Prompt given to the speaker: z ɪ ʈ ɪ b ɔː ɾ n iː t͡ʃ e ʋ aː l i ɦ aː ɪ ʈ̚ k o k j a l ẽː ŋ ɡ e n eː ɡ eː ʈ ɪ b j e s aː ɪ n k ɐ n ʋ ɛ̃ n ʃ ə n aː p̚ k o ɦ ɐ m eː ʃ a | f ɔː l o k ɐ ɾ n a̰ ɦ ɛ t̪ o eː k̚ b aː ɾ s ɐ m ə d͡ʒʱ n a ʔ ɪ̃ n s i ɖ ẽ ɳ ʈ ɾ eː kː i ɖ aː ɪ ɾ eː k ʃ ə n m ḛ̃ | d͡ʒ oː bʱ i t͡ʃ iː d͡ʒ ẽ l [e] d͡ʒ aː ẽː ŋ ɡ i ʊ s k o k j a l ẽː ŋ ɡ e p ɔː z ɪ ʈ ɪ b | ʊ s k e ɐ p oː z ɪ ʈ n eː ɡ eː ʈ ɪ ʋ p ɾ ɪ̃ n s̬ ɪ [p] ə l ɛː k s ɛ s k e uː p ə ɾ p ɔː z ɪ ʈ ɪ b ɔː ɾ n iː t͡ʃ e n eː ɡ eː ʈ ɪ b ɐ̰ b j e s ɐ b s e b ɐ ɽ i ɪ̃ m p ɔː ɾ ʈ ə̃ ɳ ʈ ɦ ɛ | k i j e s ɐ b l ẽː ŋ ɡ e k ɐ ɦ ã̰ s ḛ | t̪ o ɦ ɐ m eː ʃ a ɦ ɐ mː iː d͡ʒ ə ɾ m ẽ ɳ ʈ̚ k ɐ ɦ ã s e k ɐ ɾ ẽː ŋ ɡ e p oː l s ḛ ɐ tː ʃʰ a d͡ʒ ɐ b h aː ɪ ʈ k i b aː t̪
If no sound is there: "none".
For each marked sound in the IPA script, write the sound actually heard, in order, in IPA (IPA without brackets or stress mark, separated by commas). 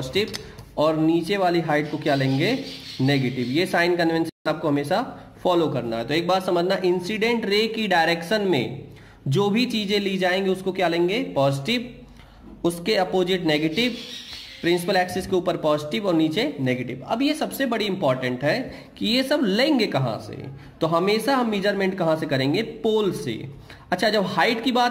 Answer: i, p